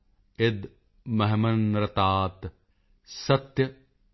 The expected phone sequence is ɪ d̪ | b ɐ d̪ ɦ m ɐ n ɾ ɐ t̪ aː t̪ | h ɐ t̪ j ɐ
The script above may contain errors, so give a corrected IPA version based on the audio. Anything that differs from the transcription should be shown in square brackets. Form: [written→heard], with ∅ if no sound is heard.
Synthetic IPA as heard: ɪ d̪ | [b→m] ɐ [d̪→∅] ɦ m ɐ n ɾ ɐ t̪ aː t̪ | [h→s] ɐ t̪ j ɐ